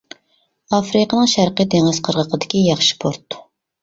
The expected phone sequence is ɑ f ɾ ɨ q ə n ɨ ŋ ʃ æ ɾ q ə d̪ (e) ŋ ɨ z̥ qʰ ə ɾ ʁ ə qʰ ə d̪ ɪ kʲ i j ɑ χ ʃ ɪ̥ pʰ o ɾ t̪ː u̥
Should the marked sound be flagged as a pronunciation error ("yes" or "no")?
no